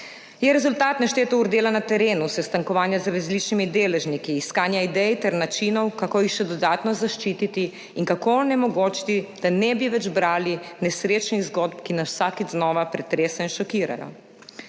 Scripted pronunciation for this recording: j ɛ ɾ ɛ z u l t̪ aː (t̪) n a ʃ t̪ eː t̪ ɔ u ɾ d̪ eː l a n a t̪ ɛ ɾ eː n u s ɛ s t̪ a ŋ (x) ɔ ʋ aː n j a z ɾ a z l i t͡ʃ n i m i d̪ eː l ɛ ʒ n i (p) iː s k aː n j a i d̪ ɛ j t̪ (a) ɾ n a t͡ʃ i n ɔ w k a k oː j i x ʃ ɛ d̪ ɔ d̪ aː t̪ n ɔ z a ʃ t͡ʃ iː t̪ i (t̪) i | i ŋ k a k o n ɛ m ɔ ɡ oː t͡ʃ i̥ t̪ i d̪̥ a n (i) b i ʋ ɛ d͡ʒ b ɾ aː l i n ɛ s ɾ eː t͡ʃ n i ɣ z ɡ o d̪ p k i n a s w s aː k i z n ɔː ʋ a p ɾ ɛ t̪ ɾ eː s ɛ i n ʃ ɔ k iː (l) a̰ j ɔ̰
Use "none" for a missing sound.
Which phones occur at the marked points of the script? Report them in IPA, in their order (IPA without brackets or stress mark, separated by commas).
t̪, k, k, ɛ, t̪, ɛ, ɾ